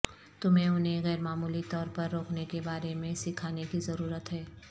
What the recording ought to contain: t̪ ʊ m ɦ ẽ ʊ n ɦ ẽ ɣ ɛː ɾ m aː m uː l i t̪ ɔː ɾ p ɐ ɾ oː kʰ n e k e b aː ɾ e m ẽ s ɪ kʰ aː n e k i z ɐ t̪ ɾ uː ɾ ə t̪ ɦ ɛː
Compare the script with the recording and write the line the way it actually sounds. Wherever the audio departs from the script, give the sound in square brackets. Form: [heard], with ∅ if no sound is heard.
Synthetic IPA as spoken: t̪ ʊ m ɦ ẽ ʊ n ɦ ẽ ɣ ɛː ɾ m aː m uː l i t̪ ɔː ɾ p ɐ [ɾː] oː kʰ n e k e b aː ɾ e m ẽ s ɪ kʰ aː n e k i z ɐ [∅] ɾ uː ɾ ə t̪ ɦ ɛː